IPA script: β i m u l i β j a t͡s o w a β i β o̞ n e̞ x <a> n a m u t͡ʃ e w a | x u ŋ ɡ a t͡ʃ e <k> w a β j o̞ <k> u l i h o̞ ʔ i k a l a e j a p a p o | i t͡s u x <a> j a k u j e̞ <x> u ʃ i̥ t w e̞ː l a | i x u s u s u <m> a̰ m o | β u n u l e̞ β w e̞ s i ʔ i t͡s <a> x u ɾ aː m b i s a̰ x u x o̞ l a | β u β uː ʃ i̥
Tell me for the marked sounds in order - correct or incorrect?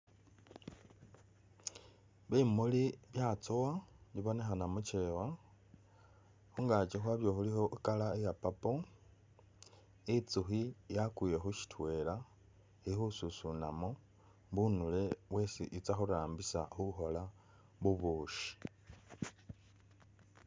correct, incorrect: x, incorrect: x, incorrect: i, correct, incorrect: n, correct

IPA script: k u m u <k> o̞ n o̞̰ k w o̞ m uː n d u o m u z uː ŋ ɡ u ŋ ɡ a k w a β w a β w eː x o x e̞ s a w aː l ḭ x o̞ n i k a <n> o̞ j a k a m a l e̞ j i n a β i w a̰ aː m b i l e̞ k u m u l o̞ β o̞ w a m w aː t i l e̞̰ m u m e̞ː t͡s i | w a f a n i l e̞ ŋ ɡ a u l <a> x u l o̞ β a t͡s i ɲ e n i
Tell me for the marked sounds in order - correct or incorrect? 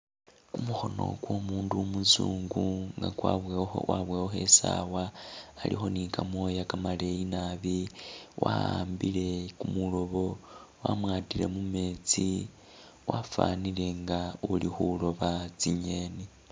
incorrect: x, incorrect: m, incorrect: i

